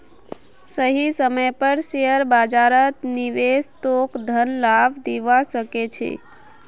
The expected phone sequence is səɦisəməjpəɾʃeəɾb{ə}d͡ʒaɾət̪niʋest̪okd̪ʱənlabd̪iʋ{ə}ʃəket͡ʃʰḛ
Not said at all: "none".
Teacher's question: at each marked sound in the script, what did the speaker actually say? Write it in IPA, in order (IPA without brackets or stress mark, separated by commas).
a, a